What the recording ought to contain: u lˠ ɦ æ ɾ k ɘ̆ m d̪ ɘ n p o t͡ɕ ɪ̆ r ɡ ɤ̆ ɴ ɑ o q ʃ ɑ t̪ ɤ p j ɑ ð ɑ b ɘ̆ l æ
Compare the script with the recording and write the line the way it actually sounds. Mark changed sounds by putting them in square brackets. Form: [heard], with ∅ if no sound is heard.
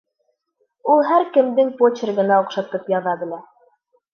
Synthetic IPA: u lˠ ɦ æ ɾ k ɘ̆ m d̪ ɘ [ŋ] p o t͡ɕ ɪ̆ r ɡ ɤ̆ [n] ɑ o q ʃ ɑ t̪ ɤ p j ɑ ð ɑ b ɘ̆ l æ